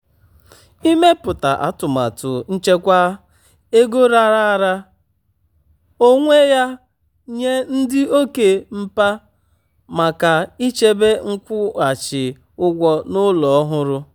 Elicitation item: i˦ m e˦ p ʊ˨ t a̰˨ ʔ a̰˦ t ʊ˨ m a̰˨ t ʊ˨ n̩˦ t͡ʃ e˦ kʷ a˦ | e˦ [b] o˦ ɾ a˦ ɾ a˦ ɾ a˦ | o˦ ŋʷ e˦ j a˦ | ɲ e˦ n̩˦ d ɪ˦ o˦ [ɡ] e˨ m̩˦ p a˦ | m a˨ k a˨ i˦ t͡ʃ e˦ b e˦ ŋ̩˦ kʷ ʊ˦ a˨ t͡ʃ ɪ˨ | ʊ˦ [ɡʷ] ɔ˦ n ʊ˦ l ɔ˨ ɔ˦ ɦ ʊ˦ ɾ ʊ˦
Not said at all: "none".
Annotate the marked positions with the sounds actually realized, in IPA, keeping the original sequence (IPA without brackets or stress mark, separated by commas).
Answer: ɡ, k, ɡʷ